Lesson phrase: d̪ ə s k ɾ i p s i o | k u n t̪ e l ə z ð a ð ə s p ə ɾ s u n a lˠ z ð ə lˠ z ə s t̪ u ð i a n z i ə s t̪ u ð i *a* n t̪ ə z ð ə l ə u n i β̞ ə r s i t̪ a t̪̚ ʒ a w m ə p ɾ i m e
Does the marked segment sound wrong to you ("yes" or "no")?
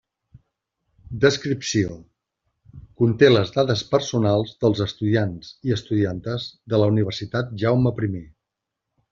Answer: no